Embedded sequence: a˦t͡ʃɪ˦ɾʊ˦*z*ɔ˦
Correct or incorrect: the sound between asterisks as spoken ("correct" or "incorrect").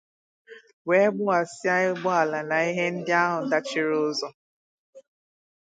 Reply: correct